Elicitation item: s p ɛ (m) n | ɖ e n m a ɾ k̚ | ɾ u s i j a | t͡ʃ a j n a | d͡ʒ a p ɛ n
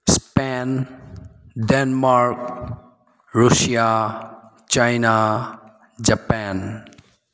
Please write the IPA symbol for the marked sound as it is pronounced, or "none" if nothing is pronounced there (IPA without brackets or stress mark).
none